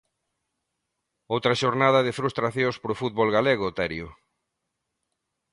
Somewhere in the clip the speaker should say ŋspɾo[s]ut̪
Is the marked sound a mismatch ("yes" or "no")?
yes